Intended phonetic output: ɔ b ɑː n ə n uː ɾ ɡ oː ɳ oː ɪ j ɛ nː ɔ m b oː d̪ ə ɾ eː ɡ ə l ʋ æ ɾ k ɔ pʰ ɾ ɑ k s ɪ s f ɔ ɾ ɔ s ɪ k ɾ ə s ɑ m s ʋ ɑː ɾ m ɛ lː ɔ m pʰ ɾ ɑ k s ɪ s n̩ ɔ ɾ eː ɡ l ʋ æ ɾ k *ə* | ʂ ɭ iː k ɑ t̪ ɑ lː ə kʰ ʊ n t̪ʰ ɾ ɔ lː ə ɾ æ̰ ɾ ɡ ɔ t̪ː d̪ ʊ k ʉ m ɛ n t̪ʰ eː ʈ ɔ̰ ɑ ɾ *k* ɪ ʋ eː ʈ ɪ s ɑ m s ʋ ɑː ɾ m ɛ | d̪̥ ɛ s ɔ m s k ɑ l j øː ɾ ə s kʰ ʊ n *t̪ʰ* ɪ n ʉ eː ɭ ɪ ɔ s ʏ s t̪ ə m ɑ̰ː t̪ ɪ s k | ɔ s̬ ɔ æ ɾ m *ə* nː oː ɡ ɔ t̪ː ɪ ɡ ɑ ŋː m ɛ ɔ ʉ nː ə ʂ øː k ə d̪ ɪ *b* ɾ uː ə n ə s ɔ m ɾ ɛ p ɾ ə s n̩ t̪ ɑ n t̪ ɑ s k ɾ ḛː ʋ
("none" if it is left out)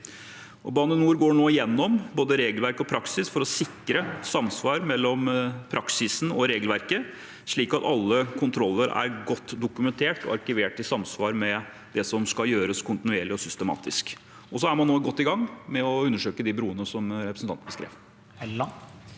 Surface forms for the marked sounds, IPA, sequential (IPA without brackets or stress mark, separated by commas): ə, k, t̪, ɑ, b